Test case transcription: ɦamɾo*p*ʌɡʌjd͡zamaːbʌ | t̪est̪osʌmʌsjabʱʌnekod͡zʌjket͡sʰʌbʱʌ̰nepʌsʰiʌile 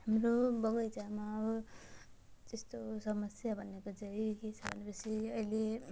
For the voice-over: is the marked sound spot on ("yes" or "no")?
no